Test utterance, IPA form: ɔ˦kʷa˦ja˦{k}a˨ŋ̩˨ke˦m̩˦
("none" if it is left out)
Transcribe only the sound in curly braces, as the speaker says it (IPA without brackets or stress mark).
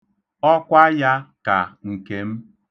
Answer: k